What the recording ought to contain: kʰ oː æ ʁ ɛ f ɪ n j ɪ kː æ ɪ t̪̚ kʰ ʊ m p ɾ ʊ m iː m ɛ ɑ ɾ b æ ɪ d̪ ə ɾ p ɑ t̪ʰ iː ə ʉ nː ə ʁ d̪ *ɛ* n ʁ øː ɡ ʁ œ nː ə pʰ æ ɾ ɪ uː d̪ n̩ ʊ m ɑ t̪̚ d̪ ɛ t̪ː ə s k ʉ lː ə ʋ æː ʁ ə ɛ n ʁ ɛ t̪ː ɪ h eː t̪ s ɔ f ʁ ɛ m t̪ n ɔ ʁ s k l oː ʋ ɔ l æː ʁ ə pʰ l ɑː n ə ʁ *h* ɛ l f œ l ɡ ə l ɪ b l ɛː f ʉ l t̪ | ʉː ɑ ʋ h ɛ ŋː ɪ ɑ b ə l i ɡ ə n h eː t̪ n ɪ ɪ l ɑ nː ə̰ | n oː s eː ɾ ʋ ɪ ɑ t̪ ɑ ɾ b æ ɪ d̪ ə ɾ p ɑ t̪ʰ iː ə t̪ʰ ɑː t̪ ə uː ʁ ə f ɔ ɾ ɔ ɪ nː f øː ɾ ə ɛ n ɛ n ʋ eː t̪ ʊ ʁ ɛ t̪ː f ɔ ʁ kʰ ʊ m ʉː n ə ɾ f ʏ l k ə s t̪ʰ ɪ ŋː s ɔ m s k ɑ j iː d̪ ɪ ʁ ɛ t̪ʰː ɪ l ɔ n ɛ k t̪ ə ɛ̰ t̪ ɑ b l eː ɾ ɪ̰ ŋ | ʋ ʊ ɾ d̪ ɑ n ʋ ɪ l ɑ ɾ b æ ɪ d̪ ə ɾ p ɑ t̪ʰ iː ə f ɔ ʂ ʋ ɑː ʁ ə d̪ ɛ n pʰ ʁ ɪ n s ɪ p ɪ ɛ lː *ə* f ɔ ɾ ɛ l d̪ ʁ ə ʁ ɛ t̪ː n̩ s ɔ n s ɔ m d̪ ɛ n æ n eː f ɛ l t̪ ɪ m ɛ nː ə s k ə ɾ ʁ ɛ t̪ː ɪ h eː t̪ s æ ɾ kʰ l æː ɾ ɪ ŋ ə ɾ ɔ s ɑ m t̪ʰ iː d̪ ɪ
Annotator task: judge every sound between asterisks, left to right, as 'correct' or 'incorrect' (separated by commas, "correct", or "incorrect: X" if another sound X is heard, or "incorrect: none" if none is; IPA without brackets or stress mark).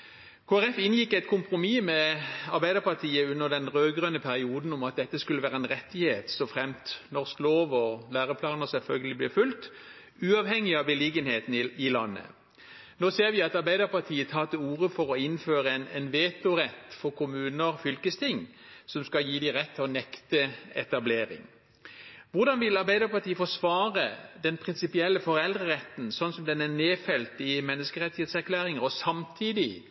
correct, incorrect: s, correct